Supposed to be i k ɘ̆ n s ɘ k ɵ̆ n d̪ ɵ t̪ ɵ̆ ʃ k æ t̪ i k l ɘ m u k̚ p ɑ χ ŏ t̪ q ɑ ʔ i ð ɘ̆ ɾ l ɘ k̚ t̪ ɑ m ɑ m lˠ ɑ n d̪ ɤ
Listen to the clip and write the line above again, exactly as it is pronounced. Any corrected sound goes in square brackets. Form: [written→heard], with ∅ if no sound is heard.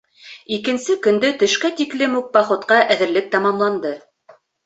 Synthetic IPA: i k ɘ̆ n s ɘ k ɵ̆ n d̪ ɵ t̪ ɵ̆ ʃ k æ t̪ i k l ɘ m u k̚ [p→b] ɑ χ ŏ t̪ q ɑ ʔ [i→æ] ð ɘ̆ ɾ l ɘ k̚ t̪ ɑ m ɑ m lˠ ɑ n d̪ ɤ